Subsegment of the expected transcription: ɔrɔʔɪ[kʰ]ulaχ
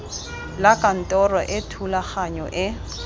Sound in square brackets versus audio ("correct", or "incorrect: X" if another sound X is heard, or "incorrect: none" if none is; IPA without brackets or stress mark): incorrect: tʰ